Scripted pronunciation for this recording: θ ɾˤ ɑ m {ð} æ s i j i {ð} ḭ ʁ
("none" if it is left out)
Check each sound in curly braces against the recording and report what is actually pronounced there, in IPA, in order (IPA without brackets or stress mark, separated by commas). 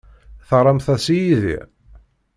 θ, ð